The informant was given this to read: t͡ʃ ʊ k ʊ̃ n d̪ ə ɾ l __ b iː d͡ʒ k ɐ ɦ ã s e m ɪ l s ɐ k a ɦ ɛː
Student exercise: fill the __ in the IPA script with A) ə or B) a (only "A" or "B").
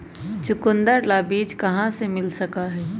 B